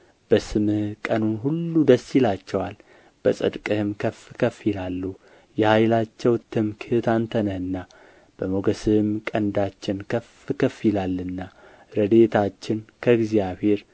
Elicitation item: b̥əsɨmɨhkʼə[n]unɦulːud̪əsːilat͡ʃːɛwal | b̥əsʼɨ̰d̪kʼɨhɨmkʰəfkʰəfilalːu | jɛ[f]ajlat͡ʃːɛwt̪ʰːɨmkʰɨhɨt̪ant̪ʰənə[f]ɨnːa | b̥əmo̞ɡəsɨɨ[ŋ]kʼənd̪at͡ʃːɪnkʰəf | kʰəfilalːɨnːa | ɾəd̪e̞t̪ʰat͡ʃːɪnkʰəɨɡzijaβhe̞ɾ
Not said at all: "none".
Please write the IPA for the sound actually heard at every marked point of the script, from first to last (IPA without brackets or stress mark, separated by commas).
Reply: n, h, h, m